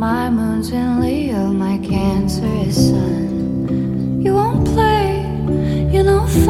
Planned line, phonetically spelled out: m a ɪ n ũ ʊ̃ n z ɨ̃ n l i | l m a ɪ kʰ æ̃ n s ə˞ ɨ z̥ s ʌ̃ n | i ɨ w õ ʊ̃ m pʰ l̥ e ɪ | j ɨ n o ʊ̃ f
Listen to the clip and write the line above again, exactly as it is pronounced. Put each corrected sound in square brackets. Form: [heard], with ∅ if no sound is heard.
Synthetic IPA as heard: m a ɪ [m] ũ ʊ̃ n z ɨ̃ n l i | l m a ɪ kʰ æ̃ n s ə˞ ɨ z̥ s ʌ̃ n | [j] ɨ w õ ʊ̃ [n] pʰ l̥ e ɪ | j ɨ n o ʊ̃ f